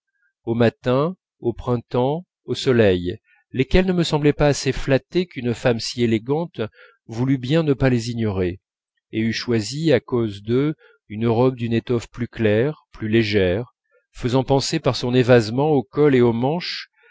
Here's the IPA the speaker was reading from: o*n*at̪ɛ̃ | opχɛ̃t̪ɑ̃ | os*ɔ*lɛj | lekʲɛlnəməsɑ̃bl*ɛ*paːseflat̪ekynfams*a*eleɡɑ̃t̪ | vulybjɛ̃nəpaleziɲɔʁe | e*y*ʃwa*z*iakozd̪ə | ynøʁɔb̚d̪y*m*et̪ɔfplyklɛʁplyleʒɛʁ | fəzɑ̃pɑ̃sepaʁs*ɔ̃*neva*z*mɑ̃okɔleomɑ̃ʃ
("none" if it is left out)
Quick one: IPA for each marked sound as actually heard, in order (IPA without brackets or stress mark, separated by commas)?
m, ɔ, ɛ, i, y, z, n, ɔ̃, z